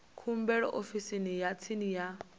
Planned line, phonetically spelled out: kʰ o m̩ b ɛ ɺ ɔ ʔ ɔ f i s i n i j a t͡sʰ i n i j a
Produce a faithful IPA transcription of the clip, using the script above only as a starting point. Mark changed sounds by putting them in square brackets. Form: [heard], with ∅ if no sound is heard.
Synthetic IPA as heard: kʰ [u] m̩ b ɛ ɺ ɔ ʔ [o] f i s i n i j a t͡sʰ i n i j a